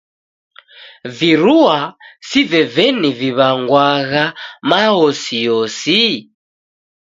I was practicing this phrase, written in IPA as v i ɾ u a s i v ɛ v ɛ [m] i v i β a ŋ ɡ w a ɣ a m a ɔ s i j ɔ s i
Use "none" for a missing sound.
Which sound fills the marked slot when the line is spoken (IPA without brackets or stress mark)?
n